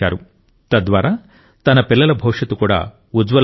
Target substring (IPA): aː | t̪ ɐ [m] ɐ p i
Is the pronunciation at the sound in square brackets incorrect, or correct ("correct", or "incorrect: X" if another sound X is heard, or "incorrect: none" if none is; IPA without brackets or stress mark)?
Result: incorrect: n